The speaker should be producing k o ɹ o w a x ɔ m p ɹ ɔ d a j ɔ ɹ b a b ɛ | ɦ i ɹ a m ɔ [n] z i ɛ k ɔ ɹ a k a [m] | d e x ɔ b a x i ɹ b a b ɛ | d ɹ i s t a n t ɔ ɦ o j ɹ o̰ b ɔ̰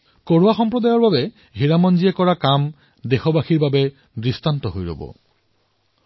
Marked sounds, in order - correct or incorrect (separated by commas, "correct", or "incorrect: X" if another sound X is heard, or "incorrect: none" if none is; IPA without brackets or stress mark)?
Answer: correct, correct